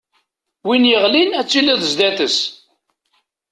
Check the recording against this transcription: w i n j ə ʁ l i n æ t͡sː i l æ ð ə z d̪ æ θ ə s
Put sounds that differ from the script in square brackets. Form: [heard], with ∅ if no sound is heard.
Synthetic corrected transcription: w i n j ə ʁ l i n æ t͡sː i l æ ð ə z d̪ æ θ ə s